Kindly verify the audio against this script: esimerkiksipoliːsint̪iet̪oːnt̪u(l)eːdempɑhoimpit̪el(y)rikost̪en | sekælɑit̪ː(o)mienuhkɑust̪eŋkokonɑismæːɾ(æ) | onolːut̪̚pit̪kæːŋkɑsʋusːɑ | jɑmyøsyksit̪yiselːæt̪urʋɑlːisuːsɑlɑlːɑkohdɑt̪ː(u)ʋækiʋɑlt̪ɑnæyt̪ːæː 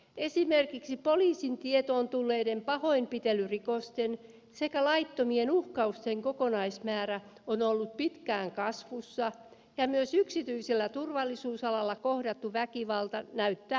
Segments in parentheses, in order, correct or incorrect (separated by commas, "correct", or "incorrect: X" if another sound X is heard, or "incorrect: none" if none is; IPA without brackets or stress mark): incorrect: lː, correct, correct, correct, correct